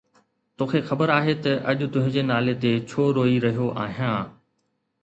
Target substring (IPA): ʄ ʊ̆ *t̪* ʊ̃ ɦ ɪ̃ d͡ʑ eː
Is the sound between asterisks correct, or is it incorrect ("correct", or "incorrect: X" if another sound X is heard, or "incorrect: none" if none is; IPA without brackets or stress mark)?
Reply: correct